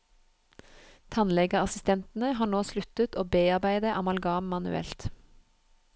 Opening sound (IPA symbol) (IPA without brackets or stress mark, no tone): t̪ʰ